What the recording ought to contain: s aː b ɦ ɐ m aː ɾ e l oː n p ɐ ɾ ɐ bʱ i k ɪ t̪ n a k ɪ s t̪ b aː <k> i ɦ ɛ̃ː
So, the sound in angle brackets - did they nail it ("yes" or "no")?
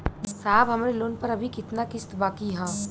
yes